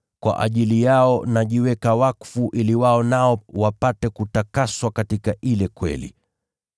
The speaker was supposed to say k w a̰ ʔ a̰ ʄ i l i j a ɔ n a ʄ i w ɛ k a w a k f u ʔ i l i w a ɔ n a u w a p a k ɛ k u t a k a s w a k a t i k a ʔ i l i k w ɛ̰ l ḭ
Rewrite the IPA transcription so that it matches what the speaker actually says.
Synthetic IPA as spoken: k w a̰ ʔ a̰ ʄ i l i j a ɔ n a ʄ i w ɛ k a w a k f u ʔ i l i w a ɔ n a ɔ w a p a t ɛ k u t a k a s w a k a t i k a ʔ i l ɛ k w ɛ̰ l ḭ

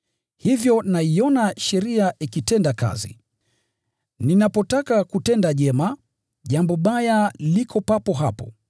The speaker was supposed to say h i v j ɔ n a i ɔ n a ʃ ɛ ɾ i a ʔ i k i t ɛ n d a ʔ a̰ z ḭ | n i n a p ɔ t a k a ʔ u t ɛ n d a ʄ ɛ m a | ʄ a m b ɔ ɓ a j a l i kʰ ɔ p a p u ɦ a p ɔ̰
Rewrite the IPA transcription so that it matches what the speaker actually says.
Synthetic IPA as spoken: h i v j ɔ n a i ɔ n a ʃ ɛ ɾ i a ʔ i k i t ɛ n d a k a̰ z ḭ | n i n a p ɔ t a k a k u t ɛ n d a ʄ ɛ m a | ʄ a m b ɔ ɓ a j a l i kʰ ɔ p a p ɔ ɦ a p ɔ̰

